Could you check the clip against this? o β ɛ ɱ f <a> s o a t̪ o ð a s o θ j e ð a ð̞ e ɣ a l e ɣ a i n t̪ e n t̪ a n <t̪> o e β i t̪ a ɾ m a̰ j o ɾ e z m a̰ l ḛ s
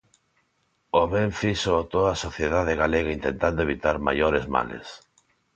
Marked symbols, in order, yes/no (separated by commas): no, no